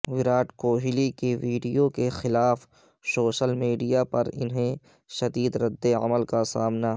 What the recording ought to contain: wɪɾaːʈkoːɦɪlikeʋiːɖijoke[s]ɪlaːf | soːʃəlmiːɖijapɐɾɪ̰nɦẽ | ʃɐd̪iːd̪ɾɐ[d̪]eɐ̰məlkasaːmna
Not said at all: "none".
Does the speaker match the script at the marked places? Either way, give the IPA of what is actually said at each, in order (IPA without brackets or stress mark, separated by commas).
x, d̪ː